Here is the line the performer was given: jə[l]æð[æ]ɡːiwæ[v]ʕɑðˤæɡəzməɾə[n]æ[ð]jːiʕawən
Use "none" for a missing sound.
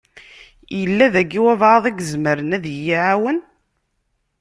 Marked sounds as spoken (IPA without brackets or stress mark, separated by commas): lː, æ, v, n, ð